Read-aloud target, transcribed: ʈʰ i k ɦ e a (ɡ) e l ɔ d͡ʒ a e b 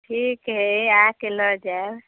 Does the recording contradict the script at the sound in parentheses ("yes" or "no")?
yes